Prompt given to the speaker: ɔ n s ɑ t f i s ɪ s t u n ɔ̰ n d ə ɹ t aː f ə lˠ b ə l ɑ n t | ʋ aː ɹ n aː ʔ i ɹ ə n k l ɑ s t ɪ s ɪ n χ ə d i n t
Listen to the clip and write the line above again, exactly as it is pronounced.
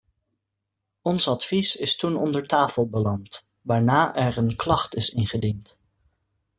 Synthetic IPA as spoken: ɔ n s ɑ t f i s ɪ s t u n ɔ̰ n d ə ɹ t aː f ə lˠ b ə l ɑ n t | ʋ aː ɹ n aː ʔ ɛ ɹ ə n k l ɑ χ t ɪ s ɪ n χ ə d i n t

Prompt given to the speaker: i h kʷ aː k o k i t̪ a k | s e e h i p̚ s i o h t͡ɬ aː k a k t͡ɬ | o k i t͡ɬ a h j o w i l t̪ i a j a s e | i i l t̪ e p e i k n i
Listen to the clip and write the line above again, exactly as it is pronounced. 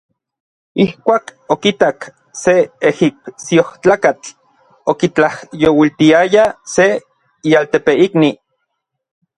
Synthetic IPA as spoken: i h kʷ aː k o k i t̪ a k | s e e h i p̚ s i o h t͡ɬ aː k a t͡ɬ | o k i t͡ɬ a h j o w i l t̪ i a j a s e | i a l t̪ e p e i k n i

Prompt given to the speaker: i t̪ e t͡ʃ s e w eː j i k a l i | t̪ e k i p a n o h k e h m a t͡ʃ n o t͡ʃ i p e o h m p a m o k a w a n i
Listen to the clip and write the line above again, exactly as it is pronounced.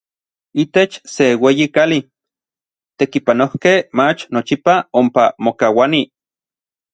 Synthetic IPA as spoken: i t̪ e t͡ʃ s e w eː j i k a l i | t̪ e k i p a n o h k e h m a t͡ʃ n o t͡ʃ i p a o m p a m o k a w a n i

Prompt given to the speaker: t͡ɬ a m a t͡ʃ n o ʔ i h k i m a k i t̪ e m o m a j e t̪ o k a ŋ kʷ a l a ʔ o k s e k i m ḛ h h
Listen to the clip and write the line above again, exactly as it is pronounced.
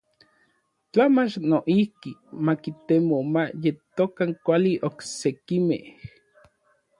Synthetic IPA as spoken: t͡ɬ a m a t͡ʃ n o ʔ i h k i m a k i t̪ e m o m a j e t̪ o k a ŋ kʷ a l i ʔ o k s e k i m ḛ h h

